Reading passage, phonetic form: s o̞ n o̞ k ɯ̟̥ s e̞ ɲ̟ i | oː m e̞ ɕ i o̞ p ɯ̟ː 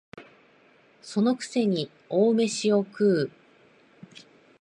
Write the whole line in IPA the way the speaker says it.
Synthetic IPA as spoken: s o̞ n o̞ k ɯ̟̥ s e̞ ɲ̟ i | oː m e̞ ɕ i o̞ k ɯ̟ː